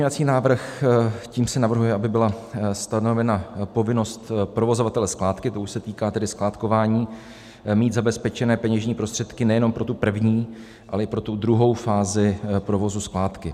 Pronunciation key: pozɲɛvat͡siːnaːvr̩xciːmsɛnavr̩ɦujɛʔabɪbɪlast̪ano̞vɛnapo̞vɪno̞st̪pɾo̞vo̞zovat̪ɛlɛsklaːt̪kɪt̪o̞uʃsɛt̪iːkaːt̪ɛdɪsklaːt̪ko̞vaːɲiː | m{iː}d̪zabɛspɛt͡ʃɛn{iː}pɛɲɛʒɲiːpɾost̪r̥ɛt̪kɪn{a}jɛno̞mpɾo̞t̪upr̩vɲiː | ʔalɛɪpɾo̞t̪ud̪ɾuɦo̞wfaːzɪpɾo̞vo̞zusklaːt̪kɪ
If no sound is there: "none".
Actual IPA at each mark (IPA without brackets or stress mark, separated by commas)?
iː, ɛː, ɛ